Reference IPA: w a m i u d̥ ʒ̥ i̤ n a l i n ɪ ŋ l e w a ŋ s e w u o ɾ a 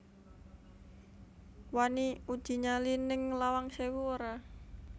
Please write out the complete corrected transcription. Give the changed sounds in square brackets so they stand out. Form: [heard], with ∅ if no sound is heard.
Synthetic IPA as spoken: w a [n] i u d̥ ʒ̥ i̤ [ɲ] a l i n ɪ ŋ l [a] w a ŋ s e w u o ɾ a